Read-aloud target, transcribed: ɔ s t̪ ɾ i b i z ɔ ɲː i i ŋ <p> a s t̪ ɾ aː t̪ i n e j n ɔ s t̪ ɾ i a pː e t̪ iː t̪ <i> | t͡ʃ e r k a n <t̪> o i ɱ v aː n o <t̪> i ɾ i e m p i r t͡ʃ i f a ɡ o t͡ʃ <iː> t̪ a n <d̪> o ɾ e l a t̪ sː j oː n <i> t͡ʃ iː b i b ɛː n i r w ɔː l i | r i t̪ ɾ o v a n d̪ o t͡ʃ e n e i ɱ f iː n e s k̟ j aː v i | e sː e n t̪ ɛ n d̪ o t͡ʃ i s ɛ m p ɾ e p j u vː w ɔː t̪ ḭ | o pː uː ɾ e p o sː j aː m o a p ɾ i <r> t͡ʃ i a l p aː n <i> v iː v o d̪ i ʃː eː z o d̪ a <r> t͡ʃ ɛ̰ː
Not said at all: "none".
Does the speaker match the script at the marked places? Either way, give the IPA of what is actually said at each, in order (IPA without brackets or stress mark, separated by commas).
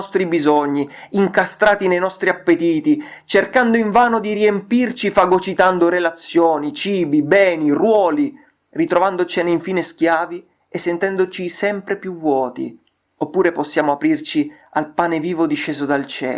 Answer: k, i, d̪, d̪, i, d̪, i, r, e, l